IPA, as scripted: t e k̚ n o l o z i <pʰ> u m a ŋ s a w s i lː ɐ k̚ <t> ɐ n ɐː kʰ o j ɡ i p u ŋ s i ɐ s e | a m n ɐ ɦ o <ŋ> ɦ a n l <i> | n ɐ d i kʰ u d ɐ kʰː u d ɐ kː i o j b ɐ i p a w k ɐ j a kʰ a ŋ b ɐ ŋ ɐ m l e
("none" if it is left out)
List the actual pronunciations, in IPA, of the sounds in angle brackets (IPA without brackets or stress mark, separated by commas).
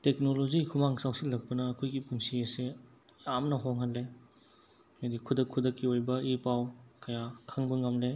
kʰ, p, ŋ, e